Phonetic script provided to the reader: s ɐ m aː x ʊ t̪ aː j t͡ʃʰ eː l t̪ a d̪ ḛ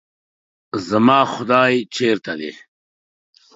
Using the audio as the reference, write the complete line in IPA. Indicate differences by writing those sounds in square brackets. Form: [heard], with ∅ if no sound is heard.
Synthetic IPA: [z] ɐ m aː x ʊ [d̪] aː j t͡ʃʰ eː [ɾ] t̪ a d̪ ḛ